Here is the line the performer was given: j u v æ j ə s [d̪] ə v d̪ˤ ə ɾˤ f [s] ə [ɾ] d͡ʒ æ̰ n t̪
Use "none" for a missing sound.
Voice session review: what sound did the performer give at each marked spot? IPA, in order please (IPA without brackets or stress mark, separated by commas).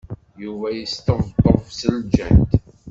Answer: t̪, s, l